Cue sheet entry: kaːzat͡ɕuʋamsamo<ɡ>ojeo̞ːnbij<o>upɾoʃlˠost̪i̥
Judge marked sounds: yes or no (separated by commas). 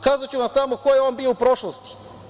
no, yes